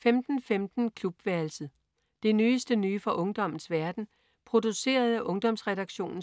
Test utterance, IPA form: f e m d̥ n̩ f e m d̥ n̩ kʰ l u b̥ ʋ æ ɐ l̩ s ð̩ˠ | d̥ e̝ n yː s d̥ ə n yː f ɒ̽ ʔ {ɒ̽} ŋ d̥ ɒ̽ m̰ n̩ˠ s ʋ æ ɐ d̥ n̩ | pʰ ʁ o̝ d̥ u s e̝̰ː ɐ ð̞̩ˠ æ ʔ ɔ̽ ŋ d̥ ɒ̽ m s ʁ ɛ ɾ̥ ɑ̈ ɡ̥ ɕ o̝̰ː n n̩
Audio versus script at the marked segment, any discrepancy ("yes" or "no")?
yes